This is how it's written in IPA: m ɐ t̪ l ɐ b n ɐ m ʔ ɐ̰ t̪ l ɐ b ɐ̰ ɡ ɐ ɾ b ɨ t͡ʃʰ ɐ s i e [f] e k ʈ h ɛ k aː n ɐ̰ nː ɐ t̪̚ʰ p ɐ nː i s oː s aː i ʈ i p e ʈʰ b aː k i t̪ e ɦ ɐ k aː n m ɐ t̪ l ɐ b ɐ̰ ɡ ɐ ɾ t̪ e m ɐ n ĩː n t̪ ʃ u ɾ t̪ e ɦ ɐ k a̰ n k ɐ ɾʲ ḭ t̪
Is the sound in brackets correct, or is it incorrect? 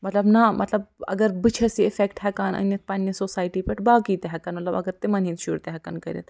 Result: correct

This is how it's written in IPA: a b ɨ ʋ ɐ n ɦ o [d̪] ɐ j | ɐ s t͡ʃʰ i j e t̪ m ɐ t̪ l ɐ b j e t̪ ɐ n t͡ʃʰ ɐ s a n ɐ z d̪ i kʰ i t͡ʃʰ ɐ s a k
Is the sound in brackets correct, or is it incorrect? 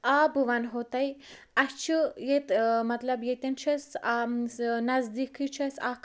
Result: incorrect: t̪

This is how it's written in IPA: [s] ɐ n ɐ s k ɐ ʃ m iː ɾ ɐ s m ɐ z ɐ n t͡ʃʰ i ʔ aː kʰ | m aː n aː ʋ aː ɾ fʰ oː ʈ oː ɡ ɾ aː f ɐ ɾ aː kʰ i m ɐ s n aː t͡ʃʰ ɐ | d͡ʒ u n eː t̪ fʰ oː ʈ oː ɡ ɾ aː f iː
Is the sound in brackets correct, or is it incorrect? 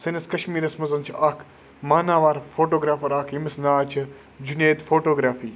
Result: correct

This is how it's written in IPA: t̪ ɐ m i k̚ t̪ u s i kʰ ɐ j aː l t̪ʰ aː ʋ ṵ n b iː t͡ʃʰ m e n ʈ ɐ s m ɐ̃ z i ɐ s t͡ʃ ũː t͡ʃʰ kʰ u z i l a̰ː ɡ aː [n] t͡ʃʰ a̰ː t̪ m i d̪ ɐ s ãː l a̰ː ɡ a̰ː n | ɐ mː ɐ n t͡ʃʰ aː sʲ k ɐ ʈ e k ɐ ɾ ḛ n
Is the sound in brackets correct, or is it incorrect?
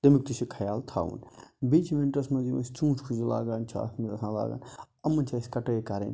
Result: correct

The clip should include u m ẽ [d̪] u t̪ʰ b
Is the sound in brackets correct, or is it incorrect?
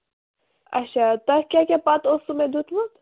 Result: correct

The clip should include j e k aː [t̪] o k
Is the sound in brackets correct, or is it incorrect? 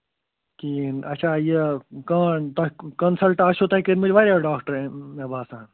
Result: correct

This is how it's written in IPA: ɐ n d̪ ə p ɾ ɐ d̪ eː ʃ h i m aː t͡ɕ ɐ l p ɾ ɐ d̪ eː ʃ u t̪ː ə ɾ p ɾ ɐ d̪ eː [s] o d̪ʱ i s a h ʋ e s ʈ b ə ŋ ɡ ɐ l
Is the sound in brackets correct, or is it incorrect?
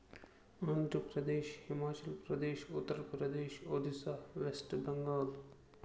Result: incorrect: ʃ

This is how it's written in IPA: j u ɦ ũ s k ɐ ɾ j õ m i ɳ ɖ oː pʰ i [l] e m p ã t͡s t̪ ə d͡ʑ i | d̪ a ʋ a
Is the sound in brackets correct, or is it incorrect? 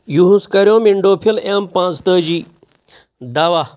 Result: correct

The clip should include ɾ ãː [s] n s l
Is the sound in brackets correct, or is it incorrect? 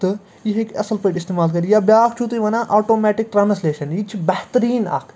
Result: incorrect: none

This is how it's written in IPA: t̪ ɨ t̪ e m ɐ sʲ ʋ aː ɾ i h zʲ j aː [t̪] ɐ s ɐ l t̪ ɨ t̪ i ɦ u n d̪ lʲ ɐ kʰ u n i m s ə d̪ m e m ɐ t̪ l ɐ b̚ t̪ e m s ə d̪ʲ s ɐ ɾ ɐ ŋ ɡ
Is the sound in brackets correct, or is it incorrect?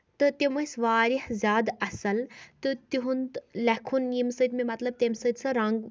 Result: incorrect: d̪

